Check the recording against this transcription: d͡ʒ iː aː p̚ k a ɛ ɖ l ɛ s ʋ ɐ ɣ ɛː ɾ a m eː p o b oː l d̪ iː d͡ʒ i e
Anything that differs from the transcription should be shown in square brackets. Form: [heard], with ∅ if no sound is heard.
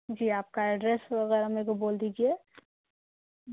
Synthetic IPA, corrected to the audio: d͡ʒ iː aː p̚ k a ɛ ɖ [ɾ] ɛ s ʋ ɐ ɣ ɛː ɾ a m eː [k] o b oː l d̪ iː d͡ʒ i e